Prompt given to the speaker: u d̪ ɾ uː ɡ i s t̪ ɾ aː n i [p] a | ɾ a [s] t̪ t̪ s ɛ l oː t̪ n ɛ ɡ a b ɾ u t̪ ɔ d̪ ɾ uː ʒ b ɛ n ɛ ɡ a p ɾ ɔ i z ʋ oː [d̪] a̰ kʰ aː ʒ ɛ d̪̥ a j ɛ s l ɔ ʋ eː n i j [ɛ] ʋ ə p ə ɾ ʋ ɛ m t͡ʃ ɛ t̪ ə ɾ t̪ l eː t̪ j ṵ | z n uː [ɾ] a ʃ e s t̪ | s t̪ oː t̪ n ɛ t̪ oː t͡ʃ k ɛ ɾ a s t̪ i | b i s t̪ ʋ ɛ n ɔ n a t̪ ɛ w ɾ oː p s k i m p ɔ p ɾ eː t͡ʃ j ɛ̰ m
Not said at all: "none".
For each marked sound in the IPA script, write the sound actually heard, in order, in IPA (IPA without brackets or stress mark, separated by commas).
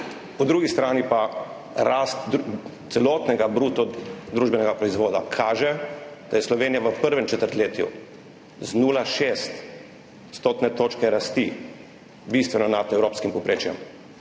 p, s, d̪, a, l